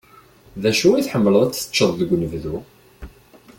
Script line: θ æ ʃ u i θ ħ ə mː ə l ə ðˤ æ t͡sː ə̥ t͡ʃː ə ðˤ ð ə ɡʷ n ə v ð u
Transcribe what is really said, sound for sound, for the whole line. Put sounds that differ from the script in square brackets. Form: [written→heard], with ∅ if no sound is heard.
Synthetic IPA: [θ→ð] æ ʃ u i θ ħ ə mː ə l ə ðˤ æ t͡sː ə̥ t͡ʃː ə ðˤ ð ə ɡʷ n ə v ð u